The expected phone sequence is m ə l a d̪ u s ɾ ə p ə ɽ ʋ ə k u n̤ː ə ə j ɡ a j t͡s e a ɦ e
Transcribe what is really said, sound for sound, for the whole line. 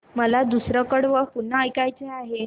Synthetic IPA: m ə l a d̪ u s ɾ ə k ə ɽ ʋ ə p u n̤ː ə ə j k a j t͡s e a ɦ e